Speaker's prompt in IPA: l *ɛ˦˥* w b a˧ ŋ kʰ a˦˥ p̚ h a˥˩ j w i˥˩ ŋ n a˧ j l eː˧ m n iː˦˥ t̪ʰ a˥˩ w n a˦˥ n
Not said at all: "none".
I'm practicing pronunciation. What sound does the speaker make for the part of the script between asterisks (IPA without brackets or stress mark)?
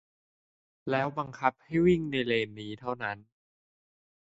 ɛː˦˥